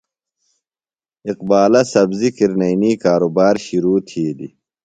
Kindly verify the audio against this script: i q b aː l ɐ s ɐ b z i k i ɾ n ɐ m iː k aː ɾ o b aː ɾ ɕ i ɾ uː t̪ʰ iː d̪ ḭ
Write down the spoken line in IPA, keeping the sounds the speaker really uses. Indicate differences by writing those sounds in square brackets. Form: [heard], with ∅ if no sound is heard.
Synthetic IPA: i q b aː l ɐ s ɐ b z i k i ɾ n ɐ [n] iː k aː ɾ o b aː ɾ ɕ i ɾ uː t̪ʰ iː d̪ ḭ